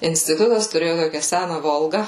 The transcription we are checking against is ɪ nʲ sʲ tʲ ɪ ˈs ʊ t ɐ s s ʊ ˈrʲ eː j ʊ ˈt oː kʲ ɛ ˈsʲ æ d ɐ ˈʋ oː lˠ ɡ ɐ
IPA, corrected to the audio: ɪ nʲ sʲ tʲ ɪ ˈt ʊ t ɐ s t ʊ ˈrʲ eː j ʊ ˈt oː kʲ ɛ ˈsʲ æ n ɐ ˈʋ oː lˠ ɡ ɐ